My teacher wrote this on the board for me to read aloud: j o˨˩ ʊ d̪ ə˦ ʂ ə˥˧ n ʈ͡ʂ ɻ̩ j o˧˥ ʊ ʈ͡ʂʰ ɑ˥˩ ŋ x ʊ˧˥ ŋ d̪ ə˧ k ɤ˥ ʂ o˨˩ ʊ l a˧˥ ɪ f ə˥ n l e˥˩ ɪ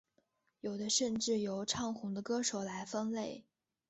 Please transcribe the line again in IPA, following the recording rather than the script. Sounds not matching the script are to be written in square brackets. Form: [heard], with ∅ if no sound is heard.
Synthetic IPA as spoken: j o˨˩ ʊ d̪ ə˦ ʂ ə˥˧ n ʈ͡ʂ ɻ̩ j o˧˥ ʊ ʈ͡ʂʰ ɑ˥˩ ŋ x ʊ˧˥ ŋ d̪ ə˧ k ɤ˥ ʂ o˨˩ ʊ l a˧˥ ɪ f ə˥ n l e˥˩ ɪ